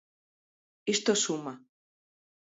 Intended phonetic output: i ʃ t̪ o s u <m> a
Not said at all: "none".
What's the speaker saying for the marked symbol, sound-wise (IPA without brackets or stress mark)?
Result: m